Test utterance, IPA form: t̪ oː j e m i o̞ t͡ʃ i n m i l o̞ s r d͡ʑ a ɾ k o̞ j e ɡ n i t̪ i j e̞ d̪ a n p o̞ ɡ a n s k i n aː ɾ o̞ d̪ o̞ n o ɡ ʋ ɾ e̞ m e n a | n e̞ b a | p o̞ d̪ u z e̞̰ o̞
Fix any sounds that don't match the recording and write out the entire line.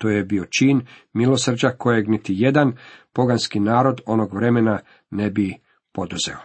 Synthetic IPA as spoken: t̪ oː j e b i o̞ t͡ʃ i n m i l o̞ s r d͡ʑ a k o̞ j e ɡ n i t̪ i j e̞ d̪ a n p o̞ ɡ a n s k i n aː ɾ o̞ d̪ o̞ n o ɡ ʋ ɾ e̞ m e n a | n e̞ b i | p o̞ d̪ u z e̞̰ o̞